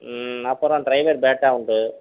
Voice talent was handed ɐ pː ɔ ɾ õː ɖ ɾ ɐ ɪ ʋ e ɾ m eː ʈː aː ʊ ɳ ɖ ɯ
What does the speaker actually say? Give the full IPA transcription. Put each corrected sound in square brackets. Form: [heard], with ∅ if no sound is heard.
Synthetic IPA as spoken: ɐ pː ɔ ɾ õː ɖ ɾ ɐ ɪ ʋ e ɾ [b] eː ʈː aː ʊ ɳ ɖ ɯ